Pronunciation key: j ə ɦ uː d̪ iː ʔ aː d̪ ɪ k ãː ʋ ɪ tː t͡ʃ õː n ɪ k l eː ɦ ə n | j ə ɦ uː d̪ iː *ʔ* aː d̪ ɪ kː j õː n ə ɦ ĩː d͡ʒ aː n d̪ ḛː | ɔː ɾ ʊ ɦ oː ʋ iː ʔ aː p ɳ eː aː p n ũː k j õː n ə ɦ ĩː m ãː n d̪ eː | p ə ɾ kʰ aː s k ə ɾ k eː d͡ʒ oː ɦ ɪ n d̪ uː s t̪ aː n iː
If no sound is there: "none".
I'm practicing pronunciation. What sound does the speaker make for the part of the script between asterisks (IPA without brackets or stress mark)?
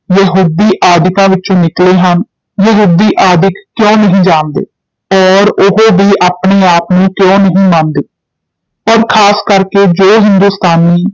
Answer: ʔ